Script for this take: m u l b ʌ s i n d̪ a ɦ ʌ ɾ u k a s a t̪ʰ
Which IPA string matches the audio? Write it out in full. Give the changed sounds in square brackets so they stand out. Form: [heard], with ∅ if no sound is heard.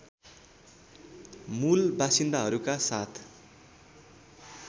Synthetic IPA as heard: m u l b [a] s i n d̪ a ɦ ʌ ɾ u k a s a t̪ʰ